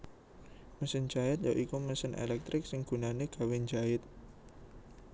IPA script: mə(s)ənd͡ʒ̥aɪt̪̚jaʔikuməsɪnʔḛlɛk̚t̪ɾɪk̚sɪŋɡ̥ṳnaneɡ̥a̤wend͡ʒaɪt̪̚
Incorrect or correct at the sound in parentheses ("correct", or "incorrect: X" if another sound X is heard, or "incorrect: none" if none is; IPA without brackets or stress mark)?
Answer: correct